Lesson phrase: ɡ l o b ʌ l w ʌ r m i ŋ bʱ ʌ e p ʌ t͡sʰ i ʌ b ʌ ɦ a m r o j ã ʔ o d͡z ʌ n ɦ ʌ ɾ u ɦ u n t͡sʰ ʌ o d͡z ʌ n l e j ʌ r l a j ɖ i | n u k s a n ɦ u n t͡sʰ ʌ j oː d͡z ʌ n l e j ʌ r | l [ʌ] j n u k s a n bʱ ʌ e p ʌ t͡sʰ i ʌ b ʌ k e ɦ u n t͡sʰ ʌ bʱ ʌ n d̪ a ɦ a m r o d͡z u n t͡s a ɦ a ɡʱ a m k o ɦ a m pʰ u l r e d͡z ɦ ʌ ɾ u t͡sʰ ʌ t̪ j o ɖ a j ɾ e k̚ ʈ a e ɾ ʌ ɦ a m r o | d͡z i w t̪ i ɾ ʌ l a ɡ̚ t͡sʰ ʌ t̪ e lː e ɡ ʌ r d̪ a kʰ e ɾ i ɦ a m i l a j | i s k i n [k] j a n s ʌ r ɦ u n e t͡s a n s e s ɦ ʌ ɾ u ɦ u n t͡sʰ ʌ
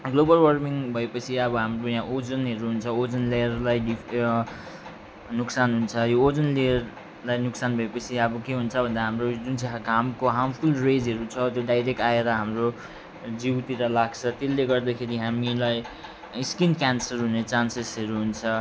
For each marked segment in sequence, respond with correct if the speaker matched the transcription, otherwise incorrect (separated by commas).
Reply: incorrect, correct